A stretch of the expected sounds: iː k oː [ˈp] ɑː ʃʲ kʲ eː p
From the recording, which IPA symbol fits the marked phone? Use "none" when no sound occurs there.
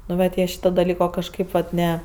k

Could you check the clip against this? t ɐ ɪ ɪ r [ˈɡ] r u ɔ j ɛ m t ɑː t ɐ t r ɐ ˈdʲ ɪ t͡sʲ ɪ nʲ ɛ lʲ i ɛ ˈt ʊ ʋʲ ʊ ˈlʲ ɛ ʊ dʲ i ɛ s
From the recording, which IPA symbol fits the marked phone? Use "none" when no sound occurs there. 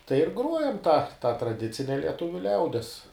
ɡ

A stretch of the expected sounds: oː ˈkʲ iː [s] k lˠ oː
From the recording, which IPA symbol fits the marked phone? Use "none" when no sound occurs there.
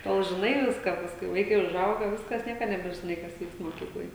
none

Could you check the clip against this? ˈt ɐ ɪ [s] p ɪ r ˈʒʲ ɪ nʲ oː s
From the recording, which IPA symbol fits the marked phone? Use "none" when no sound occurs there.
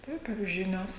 none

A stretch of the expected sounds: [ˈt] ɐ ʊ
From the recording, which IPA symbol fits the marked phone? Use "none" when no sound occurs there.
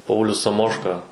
p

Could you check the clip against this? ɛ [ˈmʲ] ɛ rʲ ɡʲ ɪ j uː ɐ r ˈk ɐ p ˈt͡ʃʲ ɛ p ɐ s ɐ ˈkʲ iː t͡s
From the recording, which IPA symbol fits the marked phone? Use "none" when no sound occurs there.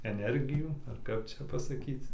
nʲ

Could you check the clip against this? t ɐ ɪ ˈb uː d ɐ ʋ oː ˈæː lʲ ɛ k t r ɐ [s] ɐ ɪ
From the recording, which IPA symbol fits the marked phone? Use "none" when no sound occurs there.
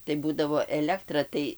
t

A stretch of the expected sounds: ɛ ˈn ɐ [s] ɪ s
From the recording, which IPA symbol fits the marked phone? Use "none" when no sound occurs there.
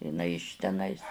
none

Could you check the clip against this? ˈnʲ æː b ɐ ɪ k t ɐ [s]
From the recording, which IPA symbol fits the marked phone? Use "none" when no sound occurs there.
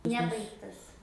s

